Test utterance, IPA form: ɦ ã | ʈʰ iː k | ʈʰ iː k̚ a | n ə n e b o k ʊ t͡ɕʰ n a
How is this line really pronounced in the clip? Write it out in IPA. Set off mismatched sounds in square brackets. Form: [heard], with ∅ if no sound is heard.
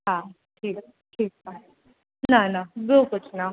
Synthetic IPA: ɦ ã | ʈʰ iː k | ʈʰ iː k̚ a | n [a] n [a] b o k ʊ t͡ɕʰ n a